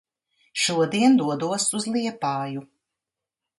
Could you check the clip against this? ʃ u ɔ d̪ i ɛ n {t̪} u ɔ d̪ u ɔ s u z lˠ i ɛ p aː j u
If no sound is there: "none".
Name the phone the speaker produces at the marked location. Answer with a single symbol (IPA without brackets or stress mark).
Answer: d̪